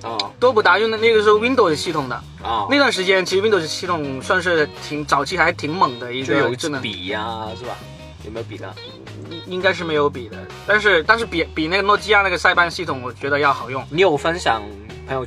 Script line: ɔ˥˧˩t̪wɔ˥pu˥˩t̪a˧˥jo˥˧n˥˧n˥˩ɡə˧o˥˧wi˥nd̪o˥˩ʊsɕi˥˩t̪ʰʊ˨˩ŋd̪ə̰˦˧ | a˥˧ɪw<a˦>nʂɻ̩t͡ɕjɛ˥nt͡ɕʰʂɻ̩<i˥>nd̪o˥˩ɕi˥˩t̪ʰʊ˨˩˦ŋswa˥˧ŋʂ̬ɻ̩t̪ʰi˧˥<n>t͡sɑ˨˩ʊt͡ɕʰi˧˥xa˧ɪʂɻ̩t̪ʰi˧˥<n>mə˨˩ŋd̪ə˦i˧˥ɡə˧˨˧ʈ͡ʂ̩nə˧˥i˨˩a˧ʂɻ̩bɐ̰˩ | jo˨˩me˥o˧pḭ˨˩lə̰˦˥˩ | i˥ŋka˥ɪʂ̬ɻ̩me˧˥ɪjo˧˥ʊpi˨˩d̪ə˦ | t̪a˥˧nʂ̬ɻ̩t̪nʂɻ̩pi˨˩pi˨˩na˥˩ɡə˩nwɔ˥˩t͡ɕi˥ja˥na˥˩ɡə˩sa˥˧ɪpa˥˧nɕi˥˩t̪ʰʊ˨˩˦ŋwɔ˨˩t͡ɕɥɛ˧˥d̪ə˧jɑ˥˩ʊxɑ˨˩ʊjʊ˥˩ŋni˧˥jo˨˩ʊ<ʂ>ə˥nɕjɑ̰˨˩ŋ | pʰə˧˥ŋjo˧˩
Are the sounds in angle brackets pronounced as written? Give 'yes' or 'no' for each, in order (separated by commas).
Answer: no, yes, no, no, no